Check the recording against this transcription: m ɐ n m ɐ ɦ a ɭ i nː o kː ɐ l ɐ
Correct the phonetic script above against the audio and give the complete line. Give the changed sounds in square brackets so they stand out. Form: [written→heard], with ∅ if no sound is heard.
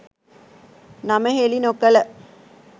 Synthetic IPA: [m→n] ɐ [n→∅] m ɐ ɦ [a→e] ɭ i [nː→n] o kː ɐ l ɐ